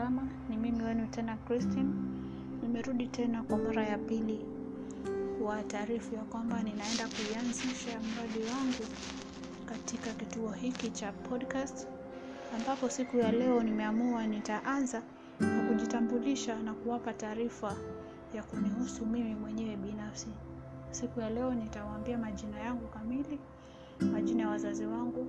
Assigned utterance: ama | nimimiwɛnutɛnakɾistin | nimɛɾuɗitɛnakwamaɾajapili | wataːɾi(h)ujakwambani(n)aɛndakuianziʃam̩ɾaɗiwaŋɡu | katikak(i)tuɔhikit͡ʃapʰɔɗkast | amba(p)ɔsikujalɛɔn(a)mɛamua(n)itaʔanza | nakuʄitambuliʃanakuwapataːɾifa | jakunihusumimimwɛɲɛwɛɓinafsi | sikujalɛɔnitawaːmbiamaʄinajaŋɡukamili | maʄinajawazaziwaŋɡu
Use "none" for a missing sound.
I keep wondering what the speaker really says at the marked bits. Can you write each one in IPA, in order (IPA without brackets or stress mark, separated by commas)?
f, n, i, p, i, n